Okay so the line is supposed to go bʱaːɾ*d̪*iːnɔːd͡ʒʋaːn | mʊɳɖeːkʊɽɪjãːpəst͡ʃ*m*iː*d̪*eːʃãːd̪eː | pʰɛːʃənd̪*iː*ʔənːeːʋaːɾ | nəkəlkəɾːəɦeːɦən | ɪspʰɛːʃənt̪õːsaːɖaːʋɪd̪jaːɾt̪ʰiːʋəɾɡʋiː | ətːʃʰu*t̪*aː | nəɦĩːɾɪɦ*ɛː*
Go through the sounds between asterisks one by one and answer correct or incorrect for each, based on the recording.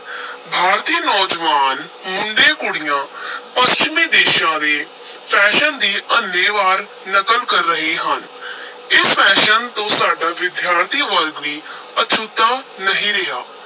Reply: incorrect, correct, correct, correct, correct, incorrect

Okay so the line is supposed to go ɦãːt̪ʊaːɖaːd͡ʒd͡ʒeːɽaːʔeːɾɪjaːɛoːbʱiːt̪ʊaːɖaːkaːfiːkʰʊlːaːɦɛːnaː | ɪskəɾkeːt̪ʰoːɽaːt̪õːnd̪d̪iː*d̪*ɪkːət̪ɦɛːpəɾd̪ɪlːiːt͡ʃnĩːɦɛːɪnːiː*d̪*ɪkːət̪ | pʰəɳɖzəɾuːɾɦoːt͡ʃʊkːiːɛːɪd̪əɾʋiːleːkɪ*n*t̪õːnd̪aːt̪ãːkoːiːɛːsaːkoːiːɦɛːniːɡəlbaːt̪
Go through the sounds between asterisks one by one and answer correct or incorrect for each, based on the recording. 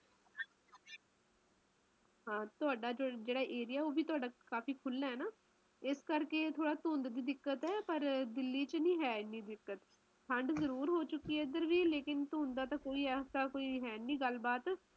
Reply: correct, correct, correct

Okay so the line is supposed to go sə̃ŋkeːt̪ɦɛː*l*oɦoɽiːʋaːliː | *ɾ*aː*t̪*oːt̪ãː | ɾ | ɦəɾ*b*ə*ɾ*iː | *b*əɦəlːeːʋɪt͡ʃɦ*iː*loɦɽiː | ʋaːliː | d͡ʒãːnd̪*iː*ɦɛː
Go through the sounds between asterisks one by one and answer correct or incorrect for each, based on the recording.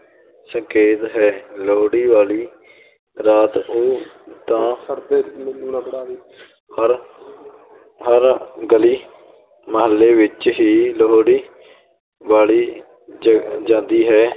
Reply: correct, correct, correct, incorrect, incorrect, incorrect, correct, correct

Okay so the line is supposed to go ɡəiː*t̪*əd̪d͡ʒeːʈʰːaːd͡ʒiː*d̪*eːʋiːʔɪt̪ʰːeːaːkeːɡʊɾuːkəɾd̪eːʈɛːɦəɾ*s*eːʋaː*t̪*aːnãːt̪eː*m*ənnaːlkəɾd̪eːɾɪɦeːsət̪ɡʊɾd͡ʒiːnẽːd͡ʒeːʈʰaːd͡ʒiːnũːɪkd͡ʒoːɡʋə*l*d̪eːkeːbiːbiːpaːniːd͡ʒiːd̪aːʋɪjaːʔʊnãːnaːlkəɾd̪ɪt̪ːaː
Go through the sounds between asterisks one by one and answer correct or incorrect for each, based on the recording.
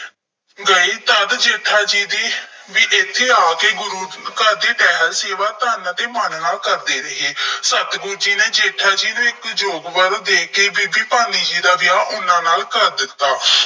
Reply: correct, correct, correct, correct, correct, incorrect

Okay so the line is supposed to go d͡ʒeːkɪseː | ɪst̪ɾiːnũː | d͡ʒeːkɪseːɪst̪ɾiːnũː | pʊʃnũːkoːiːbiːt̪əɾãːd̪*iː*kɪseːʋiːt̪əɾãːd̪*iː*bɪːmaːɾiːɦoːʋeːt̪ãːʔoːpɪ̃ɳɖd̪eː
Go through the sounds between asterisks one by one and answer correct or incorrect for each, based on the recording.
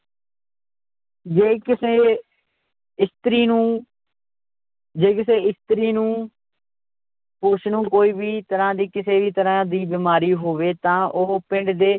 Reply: correct, correct

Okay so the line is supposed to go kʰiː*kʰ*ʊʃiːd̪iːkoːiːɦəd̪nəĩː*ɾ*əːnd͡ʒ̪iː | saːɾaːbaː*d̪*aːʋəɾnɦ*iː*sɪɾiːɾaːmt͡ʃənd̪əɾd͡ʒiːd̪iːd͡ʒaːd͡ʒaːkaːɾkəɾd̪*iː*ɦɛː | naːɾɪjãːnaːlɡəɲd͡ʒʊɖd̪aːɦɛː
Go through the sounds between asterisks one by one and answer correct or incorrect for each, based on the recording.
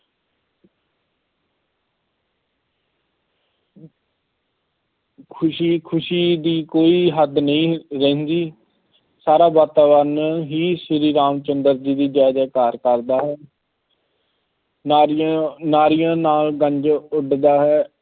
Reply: correct, correct, incorrect, correct, incorrect

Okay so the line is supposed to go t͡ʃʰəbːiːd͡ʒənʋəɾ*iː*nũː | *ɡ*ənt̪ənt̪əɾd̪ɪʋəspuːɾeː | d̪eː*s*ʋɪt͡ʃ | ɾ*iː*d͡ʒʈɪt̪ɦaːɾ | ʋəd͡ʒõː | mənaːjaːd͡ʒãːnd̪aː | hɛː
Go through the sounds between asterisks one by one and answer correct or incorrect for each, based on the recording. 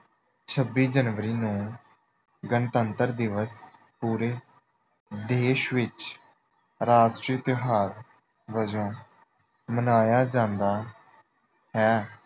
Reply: correct, correct, incorrect, incorrect

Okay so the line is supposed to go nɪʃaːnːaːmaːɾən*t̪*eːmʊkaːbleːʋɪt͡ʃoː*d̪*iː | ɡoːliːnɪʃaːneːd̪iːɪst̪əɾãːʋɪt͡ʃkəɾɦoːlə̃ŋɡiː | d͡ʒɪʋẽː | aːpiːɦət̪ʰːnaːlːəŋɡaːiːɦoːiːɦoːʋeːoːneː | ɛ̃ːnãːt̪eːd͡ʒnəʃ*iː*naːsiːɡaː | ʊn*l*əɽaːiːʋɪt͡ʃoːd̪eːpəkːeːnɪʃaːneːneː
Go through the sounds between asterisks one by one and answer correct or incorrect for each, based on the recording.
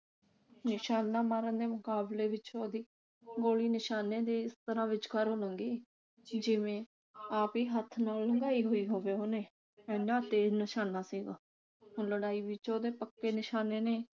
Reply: incorrect, correct, incorrect, correct

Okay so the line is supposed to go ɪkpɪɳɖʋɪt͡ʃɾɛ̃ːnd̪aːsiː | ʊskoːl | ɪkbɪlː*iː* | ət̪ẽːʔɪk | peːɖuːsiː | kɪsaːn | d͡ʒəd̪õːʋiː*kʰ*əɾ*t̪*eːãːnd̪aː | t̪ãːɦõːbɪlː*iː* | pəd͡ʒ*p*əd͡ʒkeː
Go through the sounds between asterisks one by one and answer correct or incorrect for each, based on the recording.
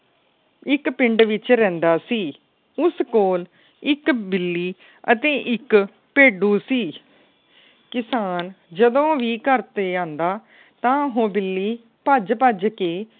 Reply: correct, incorrect, correct, correct, correct

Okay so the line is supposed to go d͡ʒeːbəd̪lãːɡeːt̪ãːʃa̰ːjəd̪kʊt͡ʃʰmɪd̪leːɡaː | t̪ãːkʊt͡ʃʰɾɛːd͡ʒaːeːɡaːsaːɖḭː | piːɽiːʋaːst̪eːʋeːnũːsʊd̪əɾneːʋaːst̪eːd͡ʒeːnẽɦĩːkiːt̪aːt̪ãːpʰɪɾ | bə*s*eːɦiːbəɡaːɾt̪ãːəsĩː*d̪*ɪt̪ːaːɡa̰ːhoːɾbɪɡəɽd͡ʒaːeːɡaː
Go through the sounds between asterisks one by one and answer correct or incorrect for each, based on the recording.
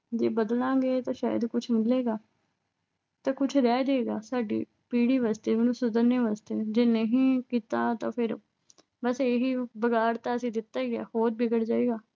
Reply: correct, correct

